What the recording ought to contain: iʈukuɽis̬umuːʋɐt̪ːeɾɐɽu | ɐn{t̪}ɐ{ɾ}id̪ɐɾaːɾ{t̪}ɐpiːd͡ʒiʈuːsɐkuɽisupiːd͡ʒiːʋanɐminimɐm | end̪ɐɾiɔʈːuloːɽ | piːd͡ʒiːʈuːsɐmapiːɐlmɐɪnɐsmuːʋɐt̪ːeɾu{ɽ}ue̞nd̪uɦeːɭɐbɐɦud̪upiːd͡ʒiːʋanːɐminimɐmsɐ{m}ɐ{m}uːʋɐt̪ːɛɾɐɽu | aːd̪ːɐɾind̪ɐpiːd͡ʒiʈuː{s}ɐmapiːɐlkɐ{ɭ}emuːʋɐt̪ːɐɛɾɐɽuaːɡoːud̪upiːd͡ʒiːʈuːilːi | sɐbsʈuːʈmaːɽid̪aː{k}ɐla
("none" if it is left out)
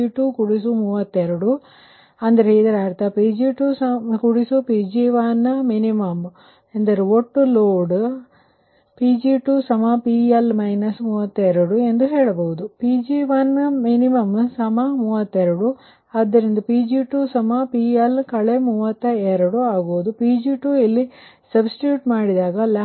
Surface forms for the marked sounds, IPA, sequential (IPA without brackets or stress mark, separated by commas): d̪, ɾ, t̪, ɽ, m, m, s, ɭ, ɡ